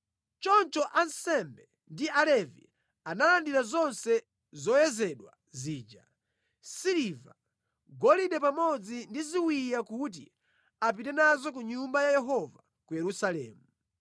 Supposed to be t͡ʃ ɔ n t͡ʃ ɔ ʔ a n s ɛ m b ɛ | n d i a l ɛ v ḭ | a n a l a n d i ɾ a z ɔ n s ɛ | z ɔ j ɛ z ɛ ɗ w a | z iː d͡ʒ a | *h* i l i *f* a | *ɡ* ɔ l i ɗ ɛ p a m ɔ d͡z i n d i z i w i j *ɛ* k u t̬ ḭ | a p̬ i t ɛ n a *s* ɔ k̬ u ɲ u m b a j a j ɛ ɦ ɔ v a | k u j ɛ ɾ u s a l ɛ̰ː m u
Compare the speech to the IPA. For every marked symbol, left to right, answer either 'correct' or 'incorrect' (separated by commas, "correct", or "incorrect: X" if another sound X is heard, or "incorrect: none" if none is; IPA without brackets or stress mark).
incorrect: s, incorrect: v, correct, incorrect: a, incorrect: z